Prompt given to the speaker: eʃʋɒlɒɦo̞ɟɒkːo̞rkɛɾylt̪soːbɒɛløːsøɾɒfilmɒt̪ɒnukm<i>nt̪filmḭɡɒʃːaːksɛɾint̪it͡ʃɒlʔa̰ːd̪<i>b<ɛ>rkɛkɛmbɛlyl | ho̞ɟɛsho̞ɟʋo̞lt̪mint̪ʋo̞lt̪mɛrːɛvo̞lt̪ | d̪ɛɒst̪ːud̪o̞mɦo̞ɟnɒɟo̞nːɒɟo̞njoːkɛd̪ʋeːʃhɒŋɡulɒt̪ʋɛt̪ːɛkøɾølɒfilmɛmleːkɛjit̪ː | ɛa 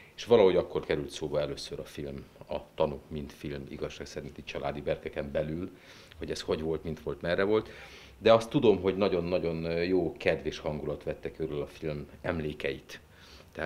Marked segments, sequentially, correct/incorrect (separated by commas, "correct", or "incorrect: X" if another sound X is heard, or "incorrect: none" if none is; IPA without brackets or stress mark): correct, correct, correct